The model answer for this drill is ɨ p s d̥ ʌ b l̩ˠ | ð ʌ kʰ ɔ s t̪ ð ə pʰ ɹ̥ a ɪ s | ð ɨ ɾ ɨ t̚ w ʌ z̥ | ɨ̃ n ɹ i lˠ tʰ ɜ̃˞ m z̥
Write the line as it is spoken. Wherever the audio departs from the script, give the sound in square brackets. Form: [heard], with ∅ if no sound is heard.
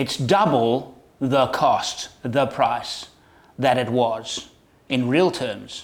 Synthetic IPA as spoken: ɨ [t] s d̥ ʌ b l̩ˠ | ð [ə] kʰ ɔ s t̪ ð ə pʰ ɹ̥ a ɪ s | ð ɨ ɾ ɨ t̚ w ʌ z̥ | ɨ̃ n ɹ i lˠ tʰ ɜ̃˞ m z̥